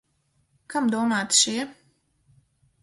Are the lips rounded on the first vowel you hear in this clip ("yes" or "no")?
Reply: no